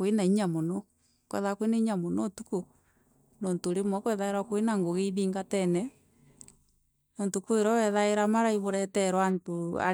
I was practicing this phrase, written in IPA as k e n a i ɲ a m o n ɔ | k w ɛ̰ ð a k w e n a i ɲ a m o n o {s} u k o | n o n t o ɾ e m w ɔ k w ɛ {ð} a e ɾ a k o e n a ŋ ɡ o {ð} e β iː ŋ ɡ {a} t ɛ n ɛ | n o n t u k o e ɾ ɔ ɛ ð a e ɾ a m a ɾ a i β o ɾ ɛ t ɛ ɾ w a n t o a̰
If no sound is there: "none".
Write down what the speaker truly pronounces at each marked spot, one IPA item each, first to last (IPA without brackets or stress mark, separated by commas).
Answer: t, ð, ɣ, a